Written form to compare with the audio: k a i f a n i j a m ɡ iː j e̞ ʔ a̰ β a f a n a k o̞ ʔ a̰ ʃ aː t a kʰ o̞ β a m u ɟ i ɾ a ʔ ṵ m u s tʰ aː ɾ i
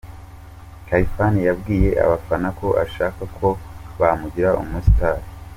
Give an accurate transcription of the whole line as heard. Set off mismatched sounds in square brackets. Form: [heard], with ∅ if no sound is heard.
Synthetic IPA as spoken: k a i f a n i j a [b] ɡ iː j e̞ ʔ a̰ β a f a n a k o̞ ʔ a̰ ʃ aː [k] a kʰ o̞ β a m u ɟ i ɾ a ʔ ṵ m u s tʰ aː ɾ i